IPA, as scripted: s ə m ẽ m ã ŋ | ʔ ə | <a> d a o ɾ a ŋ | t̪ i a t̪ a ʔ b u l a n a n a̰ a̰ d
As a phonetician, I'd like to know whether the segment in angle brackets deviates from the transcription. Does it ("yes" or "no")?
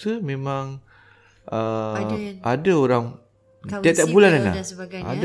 no